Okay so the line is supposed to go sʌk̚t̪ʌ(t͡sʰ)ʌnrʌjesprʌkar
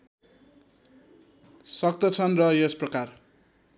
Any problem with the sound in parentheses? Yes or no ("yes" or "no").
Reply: no